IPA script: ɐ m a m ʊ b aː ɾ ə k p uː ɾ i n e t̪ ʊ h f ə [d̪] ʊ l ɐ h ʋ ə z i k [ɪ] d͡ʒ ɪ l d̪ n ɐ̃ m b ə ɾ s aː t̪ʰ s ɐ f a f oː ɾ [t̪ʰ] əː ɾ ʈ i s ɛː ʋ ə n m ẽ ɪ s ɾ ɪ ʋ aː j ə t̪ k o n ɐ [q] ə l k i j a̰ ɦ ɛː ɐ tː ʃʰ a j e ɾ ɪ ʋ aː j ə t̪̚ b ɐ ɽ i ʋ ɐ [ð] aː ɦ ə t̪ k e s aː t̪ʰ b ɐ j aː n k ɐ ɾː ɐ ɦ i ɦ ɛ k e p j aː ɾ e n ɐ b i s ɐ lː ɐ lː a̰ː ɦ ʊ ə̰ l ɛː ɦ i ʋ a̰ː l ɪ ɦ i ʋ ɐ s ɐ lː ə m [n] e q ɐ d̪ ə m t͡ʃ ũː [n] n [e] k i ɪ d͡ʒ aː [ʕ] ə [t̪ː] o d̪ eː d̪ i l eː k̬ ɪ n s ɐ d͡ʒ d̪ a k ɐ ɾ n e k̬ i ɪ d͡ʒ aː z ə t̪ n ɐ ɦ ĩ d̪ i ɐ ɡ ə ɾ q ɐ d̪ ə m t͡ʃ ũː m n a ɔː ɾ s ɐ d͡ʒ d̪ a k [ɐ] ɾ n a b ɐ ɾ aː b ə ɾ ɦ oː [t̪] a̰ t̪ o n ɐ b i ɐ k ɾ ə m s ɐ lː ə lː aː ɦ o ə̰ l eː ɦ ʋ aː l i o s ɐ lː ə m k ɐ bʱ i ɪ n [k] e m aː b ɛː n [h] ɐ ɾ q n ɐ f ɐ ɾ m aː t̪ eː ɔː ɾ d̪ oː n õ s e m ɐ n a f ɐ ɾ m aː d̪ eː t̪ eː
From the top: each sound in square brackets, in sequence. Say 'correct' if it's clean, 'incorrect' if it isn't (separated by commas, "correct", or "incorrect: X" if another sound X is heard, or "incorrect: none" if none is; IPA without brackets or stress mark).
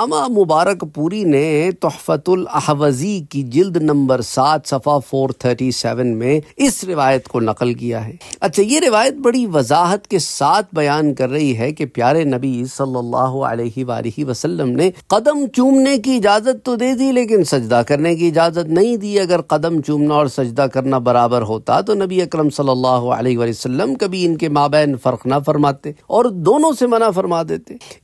incorrect: t̪, incorrect: i, correct, correct, incorrect: z, correct, incorrect: m, correct, incorrect: z, correct, correct, correct, correct, incorrect: f